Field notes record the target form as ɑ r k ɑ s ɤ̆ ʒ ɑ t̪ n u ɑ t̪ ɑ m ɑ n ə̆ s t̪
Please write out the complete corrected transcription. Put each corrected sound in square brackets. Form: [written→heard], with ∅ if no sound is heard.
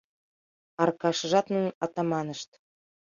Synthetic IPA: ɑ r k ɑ [s→ʃ] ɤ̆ ʒ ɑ t̪ n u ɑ t̪ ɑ m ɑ n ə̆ [s→ʃ] t̪